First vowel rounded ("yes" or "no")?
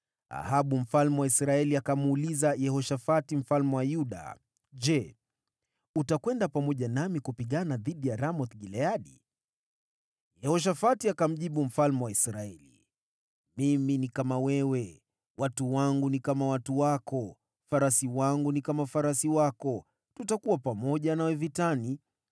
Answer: no